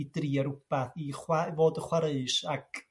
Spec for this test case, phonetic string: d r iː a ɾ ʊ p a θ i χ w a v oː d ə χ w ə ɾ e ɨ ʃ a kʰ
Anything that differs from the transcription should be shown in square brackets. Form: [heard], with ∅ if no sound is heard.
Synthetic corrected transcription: d r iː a ɾ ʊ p a θ i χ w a v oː d ə χ w [a] ɾ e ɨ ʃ a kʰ